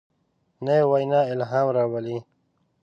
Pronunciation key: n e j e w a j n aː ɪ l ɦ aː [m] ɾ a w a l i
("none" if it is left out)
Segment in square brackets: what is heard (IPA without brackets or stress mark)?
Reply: m